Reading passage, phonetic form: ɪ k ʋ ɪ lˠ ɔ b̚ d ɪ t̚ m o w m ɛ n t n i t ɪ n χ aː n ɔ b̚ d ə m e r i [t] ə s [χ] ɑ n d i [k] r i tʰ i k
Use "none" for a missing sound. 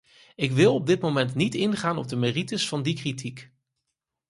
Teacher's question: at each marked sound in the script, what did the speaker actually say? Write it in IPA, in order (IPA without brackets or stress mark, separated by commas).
t, f, k